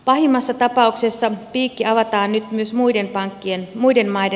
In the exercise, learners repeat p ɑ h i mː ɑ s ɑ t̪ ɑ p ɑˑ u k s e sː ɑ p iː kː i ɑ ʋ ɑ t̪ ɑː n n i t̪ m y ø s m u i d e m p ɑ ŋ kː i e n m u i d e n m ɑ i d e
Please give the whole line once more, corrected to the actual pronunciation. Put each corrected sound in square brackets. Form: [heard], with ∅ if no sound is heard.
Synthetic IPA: p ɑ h i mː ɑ [sː] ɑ t̪ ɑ p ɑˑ u k s e sː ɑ p iː kː i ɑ ʋ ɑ t̪ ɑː n n [y] t̪ m y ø s m u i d e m p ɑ ŋ kː i e n m u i d e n m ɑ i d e